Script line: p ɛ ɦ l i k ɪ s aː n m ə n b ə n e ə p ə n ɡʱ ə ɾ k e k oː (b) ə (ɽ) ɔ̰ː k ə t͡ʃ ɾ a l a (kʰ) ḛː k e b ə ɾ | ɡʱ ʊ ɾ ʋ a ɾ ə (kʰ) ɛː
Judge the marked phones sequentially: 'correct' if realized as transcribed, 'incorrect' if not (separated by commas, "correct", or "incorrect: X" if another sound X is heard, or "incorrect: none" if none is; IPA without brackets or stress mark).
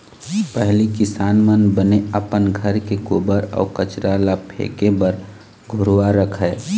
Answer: correct, incorrect: ɾ, incorrect: pʰ, correct